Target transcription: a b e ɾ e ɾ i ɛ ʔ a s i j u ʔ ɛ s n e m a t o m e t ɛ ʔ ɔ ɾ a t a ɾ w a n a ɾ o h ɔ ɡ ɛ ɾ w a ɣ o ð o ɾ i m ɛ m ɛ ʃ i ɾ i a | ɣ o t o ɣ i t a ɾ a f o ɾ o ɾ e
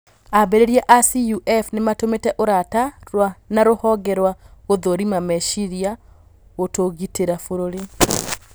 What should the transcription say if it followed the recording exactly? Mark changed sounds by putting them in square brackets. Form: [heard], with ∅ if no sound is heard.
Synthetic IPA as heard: a b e ɾ e ɾ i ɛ ʔ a s i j u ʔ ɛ [f] n e m a t o m e t ɛ ʔ [o] ɾ a t a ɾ w a n a ɾ o h ɔ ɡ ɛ ɾ w a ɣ o ð o ɾ i m [a] m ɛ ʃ i ɾ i a | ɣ o t o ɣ i t [e] ɾ a f o ɾ o ɾ e